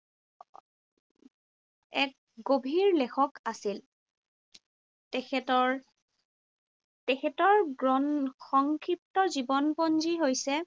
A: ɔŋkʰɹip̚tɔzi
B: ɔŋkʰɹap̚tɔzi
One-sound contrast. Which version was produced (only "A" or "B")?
A